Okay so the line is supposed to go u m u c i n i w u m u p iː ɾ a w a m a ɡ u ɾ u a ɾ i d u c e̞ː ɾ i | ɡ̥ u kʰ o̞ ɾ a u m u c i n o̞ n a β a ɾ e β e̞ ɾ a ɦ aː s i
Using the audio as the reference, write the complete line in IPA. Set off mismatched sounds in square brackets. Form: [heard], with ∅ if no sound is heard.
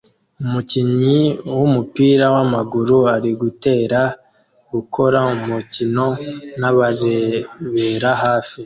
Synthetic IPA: u m u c i [ɲ] i w u m u p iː ɾ a w a m a ɡ u ɾ u a ɾ i [ɡ] u [t] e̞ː ɾ [a] | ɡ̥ u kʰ o̞ ɾ a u m u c i n o̞ n a β a ɾ e β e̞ ɾ a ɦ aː [f] i